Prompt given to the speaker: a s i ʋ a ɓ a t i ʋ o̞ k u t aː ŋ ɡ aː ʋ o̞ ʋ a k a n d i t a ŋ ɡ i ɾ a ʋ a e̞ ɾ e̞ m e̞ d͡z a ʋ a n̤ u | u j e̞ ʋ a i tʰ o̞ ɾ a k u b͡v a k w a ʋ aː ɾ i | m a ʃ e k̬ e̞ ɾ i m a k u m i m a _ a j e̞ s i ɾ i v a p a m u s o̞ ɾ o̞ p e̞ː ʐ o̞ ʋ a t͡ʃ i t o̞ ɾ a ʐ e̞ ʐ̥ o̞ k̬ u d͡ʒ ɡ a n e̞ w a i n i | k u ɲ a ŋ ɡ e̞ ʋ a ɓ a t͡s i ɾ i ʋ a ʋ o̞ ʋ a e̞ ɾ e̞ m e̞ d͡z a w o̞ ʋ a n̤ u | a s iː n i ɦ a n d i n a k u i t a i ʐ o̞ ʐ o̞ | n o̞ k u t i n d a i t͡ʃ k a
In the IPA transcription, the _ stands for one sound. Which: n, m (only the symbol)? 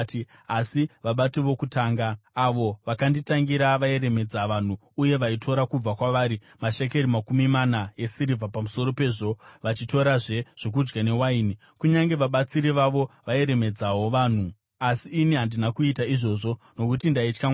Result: n